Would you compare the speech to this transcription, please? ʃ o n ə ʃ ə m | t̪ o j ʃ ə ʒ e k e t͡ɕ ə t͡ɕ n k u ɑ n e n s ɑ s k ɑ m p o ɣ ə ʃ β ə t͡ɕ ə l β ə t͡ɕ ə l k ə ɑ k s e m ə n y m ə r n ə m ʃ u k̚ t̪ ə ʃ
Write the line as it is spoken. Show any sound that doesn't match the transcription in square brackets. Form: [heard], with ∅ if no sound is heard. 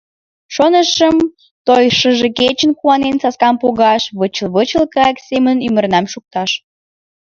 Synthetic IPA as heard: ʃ o n ə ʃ ə m | t̪ o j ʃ ə ʒ e k e t͡ɕ ə [∅] n k u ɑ n e n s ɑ s k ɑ m p o ɣ [ɑ] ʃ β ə t͡ɕ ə l β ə t͡ɕ ə l k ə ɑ k s e m ə n y m ə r n [ɑ] m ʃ u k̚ t̪ [ɑ] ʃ